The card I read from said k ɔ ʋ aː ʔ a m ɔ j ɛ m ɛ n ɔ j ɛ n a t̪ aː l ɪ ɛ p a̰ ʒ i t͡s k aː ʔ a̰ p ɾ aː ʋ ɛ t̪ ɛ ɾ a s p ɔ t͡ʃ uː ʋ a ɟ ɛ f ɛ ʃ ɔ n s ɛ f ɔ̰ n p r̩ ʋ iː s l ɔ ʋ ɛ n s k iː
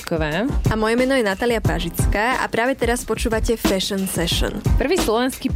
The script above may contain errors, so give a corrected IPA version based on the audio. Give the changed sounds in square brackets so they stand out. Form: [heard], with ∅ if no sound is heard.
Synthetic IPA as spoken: k ɔ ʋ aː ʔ a m ɔ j ɛ m ɛ n ɔ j ɛ n a t̪ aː l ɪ [a] p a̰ ʒ i t͡s k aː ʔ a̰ p ɾ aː ʋ ɛ t̪ ɛ ɾ a s p ɔ t͡ʃ uː ʋ a [c] ɛ f ɛ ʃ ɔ n s ɛ [ʃ] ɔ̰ n p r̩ ʋ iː s l ɔ ʋ ɛ n s k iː